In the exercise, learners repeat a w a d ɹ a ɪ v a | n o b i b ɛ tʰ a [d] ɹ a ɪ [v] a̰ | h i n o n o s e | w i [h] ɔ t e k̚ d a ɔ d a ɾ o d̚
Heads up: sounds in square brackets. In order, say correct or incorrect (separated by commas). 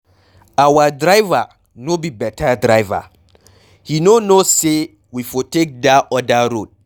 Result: correct, correct, incorrect